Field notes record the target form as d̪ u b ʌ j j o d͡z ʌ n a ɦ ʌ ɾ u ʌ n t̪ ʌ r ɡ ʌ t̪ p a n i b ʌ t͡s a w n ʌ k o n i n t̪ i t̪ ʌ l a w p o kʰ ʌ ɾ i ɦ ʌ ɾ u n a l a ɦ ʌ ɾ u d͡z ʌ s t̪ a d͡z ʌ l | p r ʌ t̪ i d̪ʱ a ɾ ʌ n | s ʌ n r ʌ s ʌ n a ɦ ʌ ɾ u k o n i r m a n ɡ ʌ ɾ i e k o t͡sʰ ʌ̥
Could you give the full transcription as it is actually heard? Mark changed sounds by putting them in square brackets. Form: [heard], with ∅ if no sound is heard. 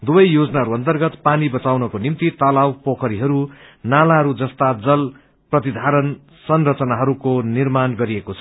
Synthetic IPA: d̪ u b ʌ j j o d͡z ʌ n a ɦ ʌ ɾ u ʌ n t̪ ʌ r ɡ ʌ t̪ p a n i b ʌ t͡s a w n ʌ k o n i [m] t̪ i t̪ ʌ l a w p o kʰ ʌ ɾ i ɦ ʌ ɾ u n a l a ɦ ʌ ɾ u d͡z ʌ s t̪ a d͡z ʌ l | p r ʌ t̪ i d̪ʱ a ɾ ʌ n | s ʌ n r ʌ [t͡s] ʌ n a ɦ ʌ ɾ u k o n i r m a n ɡ ʌ ɾ i e k o t͡sʰ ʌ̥